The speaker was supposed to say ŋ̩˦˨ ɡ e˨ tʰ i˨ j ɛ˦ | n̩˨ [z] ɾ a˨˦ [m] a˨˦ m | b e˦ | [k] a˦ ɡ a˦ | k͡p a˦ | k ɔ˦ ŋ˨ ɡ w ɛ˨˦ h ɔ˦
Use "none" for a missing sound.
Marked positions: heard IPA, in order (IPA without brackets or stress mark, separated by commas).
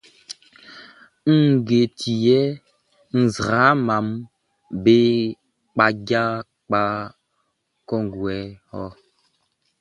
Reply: z, m, k͡p